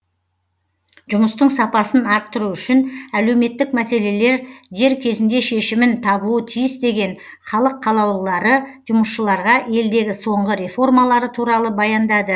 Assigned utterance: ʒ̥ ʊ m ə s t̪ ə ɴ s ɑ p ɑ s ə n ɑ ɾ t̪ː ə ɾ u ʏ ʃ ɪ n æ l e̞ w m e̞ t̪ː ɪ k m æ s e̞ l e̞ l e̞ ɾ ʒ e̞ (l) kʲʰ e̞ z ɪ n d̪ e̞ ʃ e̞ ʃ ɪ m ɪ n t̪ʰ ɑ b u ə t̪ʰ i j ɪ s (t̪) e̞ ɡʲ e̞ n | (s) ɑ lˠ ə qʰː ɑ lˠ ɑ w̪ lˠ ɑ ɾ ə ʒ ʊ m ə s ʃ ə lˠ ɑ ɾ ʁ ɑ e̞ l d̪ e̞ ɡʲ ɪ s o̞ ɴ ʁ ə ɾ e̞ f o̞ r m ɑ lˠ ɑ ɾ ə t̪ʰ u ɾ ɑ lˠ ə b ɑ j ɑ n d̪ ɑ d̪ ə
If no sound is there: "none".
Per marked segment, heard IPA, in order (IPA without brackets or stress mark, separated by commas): ɾ, d̪, χ